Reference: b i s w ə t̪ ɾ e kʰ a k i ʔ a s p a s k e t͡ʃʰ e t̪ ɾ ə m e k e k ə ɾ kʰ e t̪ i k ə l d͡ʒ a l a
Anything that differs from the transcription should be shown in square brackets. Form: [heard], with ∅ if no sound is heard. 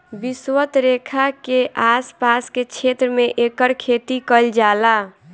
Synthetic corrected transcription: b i s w ə t̪ ɾ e kʰ a k [e] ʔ a s p a s k e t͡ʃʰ e t̪ ɾ ə m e [ʔ] e k ə ɾ kʰ e t̪ i k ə l d͡ʒ a l a